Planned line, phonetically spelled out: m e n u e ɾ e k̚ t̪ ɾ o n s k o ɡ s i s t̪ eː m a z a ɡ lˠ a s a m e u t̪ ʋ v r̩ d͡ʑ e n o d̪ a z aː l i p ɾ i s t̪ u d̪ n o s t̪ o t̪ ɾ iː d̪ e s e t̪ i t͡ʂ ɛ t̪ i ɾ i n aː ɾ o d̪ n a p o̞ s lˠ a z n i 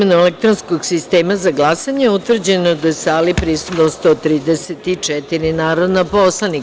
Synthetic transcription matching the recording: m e n u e l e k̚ t̪ ɾ o n s k o ɡ s i s t̪ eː m a z a ɡ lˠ a s a ɲ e u t̪ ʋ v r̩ d͡ʑ e n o d̪ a s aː l i p ɾ i s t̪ u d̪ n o s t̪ o t̪ ɾ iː d̪ e s e t̪ i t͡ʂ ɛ t̪ i ɾ i n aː ɾ o d̪ n a p o̞ s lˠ a n i